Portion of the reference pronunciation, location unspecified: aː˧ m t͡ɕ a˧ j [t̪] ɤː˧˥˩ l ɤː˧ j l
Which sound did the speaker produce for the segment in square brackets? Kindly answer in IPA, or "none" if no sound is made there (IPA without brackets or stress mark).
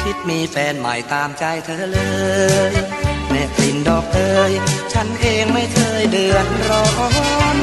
t̪ʰ